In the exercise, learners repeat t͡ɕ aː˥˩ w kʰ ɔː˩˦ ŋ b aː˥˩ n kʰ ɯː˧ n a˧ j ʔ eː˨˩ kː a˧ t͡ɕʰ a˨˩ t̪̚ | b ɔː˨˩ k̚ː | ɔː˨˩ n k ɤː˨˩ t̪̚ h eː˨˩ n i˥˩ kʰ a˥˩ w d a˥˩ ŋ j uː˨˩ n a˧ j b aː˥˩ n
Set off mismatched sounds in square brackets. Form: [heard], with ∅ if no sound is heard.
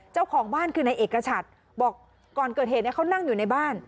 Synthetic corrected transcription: t͡ɕ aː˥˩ w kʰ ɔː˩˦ ŋ b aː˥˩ n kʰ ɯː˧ n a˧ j ʔ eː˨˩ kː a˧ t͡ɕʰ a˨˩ t̪̚ | b ɔː˨˩ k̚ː | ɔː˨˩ n k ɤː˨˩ t̪̚ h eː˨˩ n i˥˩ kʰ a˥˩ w [n] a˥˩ ŋ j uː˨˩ n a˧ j b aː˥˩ n